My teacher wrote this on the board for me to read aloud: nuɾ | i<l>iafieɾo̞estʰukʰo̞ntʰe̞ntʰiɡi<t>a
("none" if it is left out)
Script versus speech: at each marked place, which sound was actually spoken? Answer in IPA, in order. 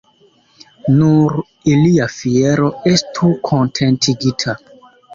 l, tʰ

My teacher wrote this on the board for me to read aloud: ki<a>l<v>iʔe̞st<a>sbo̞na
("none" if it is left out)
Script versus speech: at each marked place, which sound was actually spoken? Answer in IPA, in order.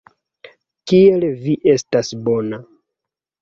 e, v, a

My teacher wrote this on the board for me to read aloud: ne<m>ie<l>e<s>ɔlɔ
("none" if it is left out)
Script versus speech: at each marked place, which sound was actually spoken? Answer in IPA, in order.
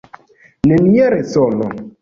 n, ɾ, s

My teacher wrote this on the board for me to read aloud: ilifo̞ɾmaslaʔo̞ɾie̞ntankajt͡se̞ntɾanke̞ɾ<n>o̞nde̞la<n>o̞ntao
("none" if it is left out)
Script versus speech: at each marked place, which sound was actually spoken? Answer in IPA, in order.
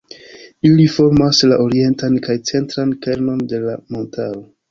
n, m

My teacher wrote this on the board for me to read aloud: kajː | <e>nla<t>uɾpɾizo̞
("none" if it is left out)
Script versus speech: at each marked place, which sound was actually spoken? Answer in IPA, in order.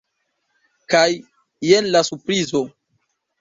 e, s

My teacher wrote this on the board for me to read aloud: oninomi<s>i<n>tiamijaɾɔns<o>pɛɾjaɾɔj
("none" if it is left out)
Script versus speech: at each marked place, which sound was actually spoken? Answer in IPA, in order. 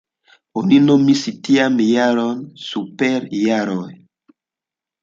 s, none, u

